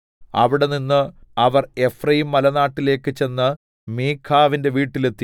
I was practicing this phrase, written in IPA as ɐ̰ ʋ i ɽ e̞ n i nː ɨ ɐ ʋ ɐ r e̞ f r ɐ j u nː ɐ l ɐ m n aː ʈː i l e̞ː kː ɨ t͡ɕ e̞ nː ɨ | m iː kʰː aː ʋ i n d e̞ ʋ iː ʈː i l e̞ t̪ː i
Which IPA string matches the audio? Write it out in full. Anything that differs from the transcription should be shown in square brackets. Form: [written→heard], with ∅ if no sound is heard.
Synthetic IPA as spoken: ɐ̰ ʋ i ɽ e̞ n i nː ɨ ɐ ʋ ɐ r e̞ f r ɐ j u [nː→mː] ɐ l ɐ [m→∅] n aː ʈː i l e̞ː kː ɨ t͡ɕ e̞ nː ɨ | m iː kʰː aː ʋ i n d e̞ ʋ iː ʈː i l e̞ t̪ː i

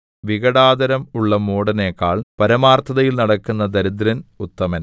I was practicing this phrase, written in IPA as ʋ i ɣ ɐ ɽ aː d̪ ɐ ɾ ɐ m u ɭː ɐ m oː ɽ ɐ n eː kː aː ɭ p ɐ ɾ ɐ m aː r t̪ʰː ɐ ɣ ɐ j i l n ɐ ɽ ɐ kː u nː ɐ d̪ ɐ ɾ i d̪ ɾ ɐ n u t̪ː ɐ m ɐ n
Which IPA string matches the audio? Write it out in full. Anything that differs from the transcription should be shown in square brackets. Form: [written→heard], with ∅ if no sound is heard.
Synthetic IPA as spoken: ʋ i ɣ ɐ ɽ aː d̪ ɐ ɾ ɐ m u ɭː ɐ m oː ɽ ɐ n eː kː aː ɭ p ɐ ɾ ɐ m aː r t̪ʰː ɐ [ɣ→ð] ɐ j i l n ɐ ɽ ɐ kː u nː ɐ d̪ ɐ ɾ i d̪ ɾ ɐ n u t̪ː ɐ m ɐ n

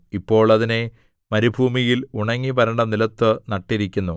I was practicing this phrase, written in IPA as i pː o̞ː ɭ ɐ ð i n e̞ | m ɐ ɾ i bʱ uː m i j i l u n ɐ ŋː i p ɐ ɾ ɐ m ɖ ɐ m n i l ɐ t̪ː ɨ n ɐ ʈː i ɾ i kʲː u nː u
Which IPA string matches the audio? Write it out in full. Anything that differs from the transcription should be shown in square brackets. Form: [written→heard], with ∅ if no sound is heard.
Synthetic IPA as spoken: i pː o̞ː ɭ ɐ ð i n e̞ | m ɐ ɾ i bʱ uː m i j i l u [n→ɳ] ɐ ŋː i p ɐ ɾ ɐ [m→ɳ] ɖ ɐ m n i l ɐ t̪ː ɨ n ɐ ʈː i ɾ i kʲː u nː u

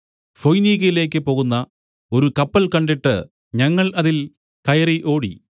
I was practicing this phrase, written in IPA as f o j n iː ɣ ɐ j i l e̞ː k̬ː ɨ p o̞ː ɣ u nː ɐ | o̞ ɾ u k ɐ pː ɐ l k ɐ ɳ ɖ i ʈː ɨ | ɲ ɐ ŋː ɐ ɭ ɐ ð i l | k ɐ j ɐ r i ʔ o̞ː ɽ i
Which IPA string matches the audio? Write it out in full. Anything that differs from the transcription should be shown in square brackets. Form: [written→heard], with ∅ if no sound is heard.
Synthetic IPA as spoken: f o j n iː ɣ ɐ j i l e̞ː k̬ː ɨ p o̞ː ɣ u nː ɐ | o̞ ɾ u k ɐ pː ɐ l k ɐ ɳ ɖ i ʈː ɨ | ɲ ɐ ŋː ɐ ɭ ɐ ð i l | k ɐ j ɐ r i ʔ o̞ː ɽ i

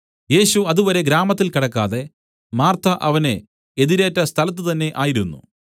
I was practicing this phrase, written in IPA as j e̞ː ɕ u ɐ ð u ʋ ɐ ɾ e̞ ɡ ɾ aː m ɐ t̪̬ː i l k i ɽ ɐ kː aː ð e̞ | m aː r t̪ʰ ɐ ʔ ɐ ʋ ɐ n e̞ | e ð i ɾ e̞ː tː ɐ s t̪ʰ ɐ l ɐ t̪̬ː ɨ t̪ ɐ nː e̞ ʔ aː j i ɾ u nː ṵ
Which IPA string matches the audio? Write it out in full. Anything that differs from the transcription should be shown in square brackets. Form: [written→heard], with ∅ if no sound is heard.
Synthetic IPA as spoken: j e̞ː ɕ u ɐ ð u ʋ ɐ ɾ e̞ ɡ ɾ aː m ɐ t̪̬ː i l k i ɽ ɐ kː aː ð e̞ | m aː r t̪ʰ ɐ ʔ ɐ ʋ ɐ n e̞ | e ð i ɾ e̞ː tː ɐ s t̪ʰ ɐ l ɐ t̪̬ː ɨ t̪ ɐ nː e̞ ʔ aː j i ɾ u nː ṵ

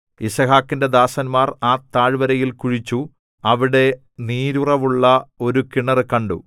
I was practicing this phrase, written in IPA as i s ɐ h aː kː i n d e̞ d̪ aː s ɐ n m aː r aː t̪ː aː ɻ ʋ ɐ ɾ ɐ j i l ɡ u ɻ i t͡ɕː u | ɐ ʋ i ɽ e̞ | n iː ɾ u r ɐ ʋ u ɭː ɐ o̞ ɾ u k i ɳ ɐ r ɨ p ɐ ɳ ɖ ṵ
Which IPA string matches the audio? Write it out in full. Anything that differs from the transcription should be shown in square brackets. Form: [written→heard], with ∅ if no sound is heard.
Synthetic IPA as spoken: i s ɐ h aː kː i n d e̞ d̪ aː s ɐ n m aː r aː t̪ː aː ɻ ʋ ɐ ɾ ɐ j i l [ɡ→k] u ɻ i t͡ɕː u | ɐ ʋ i ɽ e̞ | n iː ɾ u r ɐ ʋ u ɭː ɐ o̞ ɾ u k i ɳ ɐ r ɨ [p→k] ɐ ɳ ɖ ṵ

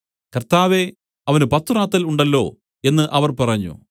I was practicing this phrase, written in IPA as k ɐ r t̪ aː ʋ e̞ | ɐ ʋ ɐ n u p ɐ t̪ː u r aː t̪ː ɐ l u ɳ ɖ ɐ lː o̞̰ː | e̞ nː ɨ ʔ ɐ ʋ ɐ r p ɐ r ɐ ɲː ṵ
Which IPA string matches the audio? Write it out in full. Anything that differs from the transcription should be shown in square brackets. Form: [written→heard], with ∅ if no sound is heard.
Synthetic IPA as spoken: k ɐ r t̪ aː ʋ e̞ | ɐ ʋ ɐ n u p ɐ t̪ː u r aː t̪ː ɐ l u ɳ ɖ ɐ lː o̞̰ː | e̞ nː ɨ ʔ ɐ ʋ ɐ r p ɐ r ɐ ɲː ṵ

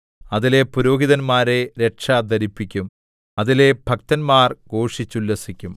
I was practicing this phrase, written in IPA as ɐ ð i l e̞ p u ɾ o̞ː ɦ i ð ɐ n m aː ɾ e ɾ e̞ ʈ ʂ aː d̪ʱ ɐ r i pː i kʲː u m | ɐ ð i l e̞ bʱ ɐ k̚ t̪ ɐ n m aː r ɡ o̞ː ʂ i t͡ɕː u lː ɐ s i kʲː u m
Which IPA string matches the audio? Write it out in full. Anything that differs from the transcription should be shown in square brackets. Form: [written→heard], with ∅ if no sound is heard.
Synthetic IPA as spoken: ɐ ð i l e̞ p u ɾ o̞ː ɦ i ð ɐ n m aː ɾ e ɾ e̞ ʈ ʂ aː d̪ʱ ɐ [r→ɾ] i pː i kʲː u m | ɐ ð i l e̞ bʱ ɐ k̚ t̪ ɐ n m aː r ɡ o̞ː ʂ i t͡ɕː u lː ɐ s i kʲː u m

